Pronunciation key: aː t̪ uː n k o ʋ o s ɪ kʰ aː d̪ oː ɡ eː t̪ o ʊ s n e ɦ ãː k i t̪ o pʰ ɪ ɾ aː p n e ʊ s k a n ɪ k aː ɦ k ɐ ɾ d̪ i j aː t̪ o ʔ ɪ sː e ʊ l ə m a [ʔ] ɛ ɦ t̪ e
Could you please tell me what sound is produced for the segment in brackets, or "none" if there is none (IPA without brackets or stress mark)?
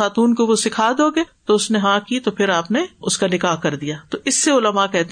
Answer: k